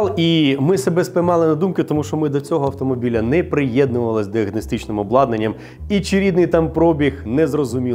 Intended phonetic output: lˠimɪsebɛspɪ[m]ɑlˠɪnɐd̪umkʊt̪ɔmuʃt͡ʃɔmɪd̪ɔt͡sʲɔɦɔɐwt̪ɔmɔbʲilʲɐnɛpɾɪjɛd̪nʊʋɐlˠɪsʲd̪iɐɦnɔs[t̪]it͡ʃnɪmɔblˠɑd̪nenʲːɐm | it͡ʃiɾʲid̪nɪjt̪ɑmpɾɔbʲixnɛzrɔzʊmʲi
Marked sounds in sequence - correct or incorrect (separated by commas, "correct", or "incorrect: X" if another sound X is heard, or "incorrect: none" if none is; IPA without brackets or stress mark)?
correct, correct